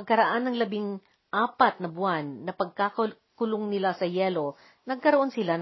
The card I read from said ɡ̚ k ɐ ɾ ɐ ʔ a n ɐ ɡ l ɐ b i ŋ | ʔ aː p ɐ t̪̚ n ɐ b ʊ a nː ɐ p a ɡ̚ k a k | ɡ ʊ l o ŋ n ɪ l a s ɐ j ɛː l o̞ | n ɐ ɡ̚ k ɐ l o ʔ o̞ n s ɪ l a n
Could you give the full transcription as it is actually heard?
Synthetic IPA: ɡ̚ k ɐ ɾ ɐ ʔ a n ɐ ŋ l ɐ b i ŋ | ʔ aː p ɐ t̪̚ n ɐ b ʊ a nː ɐ p ɐ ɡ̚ k a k | k ʊ l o ŋ n ɪ l a s ɐ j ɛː l o̞ | n ɐ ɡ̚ k ɐ ɾ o ʔ o̞ n s ɪ l a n